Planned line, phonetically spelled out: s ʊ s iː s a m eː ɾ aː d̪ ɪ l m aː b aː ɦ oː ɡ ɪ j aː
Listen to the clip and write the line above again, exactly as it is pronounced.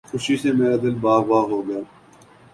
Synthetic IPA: x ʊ ʃ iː s e m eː ɾ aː d̪ ɪ l b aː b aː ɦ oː ɡ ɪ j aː

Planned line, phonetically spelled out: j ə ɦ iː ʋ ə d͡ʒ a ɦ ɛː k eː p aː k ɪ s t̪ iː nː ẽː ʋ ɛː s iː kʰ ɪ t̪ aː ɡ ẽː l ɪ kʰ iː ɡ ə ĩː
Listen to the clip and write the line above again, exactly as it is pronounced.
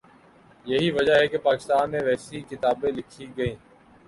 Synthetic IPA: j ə ɦ iː ʋ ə d͡ʒ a ɦ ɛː k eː p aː k ɪ s t̪ aː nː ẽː ʋ ɛː s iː k ɪ t̪ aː b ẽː l ɪ kʰ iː ɡ ə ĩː

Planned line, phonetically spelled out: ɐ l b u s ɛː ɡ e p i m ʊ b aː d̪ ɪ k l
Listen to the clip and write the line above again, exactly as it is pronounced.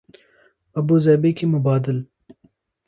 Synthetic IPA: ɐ b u z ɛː b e k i m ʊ b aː d̪ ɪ l

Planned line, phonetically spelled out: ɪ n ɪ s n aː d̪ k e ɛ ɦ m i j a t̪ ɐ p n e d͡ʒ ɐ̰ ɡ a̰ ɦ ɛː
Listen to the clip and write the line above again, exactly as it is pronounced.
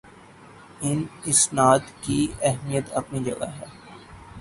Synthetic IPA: ɪ n ɪ s n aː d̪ k i ɛ ɦ m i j ə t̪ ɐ p n i d͡ʒ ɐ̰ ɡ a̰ ɦ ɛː

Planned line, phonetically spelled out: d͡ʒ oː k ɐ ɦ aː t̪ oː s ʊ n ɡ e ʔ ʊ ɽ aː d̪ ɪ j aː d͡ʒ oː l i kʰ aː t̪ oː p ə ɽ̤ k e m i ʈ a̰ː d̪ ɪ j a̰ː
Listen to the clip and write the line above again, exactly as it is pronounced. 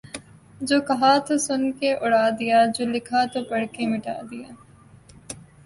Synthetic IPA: d͡ʒ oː k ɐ ɦ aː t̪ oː s ʊ n k e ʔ ʊ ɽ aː d̪ ɪ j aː d͡ʒ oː l ɪ kʰ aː t̪ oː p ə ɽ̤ k e m ɪ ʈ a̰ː d̪ ɪ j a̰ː

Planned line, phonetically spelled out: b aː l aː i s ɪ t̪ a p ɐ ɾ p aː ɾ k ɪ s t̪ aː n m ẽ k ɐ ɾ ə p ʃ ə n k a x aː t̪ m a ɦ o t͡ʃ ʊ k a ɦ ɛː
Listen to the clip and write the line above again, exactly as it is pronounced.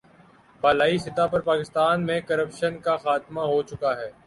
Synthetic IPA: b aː l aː i s ɪ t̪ a p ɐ ɾ p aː k ɪ s t̪ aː n m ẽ k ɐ ɾ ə p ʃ ə n k a x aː t̪ m a ɦ o t͡ʃ ʊ k a ɦ ɛː

